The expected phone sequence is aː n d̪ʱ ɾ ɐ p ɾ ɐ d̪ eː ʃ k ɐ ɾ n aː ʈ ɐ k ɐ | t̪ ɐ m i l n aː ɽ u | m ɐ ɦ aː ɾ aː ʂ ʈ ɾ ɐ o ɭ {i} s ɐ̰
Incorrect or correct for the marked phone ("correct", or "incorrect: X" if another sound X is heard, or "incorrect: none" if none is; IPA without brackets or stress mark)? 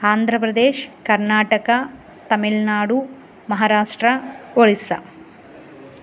correct